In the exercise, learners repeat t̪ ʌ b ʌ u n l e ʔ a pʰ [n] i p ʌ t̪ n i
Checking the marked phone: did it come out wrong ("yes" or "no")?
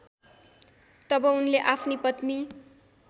no